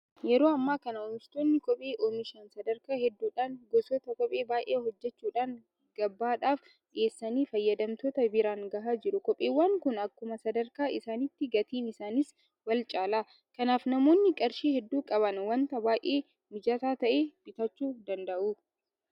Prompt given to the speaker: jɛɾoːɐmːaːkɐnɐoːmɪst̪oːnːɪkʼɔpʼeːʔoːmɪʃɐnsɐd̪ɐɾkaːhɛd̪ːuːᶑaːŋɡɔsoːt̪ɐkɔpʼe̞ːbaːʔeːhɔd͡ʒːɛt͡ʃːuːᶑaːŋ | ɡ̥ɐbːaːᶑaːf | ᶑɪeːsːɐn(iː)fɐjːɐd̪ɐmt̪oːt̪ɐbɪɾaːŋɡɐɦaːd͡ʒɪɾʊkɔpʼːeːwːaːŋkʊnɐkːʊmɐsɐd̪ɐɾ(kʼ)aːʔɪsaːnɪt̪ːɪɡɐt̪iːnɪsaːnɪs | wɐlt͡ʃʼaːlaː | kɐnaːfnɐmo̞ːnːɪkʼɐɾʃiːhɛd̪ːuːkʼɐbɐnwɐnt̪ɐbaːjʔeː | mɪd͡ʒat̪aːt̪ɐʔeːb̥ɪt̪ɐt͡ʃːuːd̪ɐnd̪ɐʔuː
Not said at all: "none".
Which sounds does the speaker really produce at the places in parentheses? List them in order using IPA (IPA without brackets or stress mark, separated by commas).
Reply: iː, k